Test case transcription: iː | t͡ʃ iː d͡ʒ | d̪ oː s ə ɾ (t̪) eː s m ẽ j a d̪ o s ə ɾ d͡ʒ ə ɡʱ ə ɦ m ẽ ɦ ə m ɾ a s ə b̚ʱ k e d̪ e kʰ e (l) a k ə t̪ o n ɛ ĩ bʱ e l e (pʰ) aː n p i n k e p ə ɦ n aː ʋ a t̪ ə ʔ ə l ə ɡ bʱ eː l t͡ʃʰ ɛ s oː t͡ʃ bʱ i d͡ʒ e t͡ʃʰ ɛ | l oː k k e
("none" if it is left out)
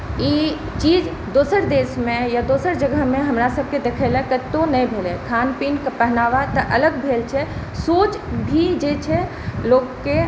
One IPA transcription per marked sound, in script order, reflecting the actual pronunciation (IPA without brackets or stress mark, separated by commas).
d̪, l, kʰ